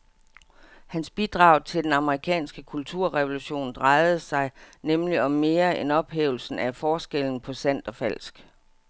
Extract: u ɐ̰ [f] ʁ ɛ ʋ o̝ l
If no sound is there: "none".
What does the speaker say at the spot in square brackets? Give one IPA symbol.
none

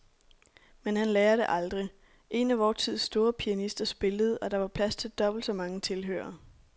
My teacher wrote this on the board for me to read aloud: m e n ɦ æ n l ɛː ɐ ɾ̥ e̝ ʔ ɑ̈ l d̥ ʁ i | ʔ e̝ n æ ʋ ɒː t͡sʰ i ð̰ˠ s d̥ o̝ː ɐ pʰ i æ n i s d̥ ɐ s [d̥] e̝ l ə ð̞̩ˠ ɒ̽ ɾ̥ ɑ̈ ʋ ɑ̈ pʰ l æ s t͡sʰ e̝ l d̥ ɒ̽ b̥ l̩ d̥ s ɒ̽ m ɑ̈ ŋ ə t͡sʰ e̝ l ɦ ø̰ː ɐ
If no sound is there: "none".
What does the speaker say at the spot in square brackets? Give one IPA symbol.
b̥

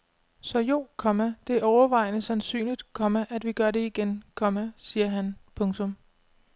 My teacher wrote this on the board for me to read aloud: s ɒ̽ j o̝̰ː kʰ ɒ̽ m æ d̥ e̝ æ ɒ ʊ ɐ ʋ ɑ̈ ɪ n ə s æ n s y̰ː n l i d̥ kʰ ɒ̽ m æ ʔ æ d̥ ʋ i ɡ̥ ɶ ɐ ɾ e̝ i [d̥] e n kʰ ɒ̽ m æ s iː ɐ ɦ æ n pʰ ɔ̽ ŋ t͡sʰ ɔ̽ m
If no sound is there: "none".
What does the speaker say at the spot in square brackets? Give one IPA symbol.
ɡ̥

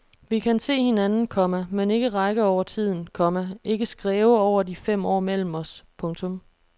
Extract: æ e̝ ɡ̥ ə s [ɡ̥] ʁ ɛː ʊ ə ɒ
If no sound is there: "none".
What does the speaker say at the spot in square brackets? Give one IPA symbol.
ɡ̥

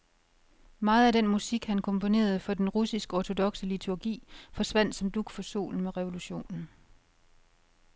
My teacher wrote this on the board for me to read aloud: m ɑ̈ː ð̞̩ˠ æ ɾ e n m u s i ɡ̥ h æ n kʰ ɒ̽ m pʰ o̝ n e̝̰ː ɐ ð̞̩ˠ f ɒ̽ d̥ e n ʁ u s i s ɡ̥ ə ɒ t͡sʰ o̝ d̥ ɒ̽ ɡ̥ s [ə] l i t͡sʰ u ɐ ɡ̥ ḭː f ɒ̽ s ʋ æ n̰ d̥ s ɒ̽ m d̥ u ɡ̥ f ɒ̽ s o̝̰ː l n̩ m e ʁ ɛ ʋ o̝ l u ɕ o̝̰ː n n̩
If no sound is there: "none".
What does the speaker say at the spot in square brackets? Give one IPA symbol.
ə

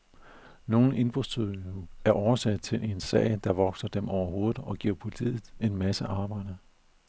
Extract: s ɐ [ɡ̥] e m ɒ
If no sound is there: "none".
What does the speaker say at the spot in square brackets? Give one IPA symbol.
d̥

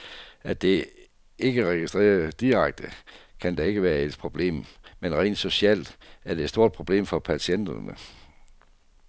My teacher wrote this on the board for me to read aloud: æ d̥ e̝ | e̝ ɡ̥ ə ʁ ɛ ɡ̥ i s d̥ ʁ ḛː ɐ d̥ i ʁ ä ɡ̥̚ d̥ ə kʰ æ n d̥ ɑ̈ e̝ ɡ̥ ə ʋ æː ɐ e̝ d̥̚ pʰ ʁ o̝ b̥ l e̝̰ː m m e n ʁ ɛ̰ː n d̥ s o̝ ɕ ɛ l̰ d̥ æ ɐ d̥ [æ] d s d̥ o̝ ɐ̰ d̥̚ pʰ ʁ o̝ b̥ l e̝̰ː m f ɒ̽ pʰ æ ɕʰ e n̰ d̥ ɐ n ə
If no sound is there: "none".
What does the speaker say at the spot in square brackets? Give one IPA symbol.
e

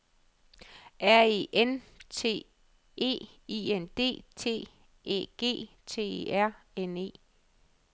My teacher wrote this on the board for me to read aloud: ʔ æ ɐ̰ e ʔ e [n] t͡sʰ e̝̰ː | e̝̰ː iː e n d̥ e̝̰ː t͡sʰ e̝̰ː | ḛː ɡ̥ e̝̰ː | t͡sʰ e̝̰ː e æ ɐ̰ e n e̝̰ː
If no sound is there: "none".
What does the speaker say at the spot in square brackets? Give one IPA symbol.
n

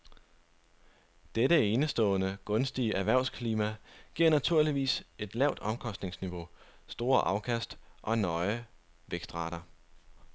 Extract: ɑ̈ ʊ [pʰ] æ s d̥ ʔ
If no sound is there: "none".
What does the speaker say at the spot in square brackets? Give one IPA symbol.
kʰ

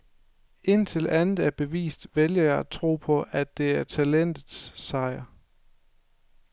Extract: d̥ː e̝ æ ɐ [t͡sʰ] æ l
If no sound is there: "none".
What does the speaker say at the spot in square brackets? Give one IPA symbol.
t͡sʰ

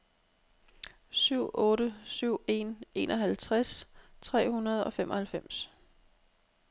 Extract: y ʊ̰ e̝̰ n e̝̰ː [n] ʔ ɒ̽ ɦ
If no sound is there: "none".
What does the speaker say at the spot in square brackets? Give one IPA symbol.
n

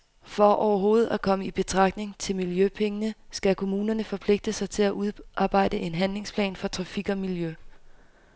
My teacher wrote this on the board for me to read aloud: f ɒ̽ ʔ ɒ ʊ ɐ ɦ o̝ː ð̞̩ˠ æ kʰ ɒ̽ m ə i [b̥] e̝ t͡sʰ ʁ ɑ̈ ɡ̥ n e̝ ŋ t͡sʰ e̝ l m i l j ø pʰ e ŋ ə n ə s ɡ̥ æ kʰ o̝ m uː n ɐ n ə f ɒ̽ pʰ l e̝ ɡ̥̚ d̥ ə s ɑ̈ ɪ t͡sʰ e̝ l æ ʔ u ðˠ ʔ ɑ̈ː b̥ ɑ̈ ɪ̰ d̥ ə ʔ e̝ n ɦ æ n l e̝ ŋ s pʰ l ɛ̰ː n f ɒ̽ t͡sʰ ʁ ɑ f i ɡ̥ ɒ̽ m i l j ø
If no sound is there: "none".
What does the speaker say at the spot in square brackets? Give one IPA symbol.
b̥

